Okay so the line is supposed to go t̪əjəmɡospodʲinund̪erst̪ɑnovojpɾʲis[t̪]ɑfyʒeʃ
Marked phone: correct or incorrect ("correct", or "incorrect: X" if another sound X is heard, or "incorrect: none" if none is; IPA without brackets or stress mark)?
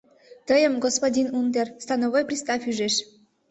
correct